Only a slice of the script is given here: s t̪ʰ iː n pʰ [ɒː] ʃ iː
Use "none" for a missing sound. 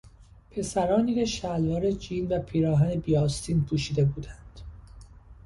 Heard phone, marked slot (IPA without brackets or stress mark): uː